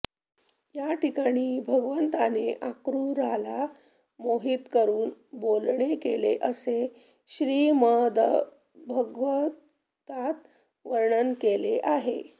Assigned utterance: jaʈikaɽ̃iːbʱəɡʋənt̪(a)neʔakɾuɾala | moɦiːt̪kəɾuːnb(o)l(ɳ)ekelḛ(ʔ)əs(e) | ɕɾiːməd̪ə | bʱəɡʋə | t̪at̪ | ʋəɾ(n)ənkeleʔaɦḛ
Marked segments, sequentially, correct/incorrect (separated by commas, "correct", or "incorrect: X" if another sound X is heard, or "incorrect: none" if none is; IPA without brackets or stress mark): correct, correct, correct, correct, correct, incorrect: ɳ